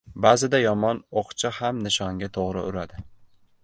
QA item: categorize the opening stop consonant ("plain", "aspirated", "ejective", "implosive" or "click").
plain